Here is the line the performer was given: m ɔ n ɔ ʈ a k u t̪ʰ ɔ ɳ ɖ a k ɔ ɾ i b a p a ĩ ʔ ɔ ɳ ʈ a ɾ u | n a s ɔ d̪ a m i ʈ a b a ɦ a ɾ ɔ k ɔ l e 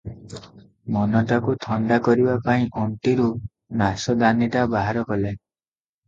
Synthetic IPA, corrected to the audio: m ɔ n ɔ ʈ a k u t̪ʰ ɔ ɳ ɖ a k ɔ ɾ i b a p a ĩ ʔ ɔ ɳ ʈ i ɾ u | n a s ɔ d̪ a n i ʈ a b a ɦ a ɾ ɔ k ɔ l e